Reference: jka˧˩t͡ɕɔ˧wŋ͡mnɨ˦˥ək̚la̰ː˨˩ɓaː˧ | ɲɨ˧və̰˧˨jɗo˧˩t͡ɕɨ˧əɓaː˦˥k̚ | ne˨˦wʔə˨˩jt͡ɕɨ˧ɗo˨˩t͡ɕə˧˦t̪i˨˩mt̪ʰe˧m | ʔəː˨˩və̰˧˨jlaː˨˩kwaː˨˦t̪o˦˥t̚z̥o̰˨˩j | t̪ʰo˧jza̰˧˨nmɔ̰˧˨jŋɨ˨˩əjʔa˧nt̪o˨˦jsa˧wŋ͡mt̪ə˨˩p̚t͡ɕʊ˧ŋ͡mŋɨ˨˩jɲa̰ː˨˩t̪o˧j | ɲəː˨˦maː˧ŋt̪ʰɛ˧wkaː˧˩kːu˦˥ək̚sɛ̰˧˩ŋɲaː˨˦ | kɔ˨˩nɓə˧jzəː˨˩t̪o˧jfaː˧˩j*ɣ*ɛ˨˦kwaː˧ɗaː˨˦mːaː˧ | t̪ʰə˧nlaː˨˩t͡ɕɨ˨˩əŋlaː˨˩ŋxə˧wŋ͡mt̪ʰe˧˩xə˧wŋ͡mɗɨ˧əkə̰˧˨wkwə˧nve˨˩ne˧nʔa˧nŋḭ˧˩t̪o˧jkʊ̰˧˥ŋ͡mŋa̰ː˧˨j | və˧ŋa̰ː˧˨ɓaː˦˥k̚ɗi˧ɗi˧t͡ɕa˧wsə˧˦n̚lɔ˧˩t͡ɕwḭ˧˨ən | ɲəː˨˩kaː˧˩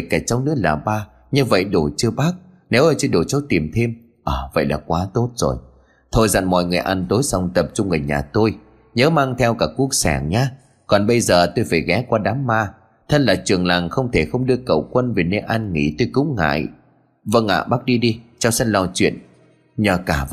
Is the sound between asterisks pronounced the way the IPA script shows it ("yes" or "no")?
yes